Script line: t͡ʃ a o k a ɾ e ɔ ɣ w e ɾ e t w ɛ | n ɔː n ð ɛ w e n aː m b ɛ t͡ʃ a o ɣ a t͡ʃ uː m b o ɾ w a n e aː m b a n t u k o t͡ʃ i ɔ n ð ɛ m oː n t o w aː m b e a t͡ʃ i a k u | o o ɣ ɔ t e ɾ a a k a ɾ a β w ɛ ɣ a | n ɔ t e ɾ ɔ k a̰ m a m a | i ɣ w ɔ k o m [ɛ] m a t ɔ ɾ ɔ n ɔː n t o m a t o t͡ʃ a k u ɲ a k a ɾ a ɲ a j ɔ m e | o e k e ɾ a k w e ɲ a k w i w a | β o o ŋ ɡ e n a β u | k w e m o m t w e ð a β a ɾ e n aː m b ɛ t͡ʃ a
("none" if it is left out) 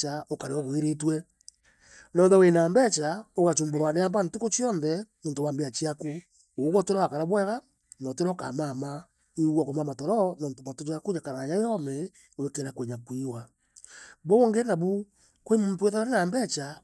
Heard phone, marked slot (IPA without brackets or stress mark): a